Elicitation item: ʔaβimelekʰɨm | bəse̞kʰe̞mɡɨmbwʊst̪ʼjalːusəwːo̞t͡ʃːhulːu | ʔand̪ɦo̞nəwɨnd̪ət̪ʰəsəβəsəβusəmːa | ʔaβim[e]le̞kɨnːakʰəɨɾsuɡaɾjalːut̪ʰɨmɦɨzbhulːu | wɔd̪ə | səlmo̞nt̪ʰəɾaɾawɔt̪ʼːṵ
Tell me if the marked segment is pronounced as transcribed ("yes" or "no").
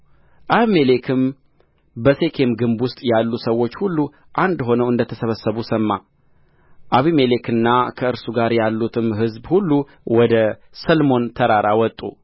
yes